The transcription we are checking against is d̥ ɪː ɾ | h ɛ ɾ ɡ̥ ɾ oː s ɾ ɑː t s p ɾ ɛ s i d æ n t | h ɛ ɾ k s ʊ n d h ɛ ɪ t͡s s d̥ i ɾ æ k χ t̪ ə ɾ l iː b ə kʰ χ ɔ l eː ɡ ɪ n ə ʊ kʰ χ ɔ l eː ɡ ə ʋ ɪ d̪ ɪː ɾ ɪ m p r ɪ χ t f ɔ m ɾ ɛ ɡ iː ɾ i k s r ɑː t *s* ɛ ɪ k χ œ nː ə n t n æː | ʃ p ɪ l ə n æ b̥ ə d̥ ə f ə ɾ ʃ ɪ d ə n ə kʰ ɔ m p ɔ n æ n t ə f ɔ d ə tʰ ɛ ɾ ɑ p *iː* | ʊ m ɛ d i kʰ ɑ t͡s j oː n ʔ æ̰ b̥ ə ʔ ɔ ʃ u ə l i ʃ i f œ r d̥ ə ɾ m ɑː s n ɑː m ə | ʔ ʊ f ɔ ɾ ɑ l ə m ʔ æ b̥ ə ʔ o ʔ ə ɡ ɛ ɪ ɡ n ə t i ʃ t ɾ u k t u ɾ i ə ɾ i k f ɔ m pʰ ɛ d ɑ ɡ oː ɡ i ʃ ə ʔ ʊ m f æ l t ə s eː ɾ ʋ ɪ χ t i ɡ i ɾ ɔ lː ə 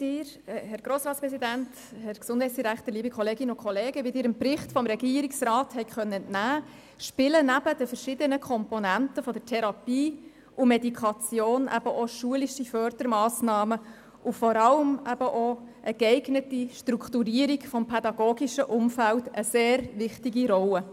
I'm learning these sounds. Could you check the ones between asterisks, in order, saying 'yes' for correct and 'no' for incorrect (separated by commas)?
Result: no, yes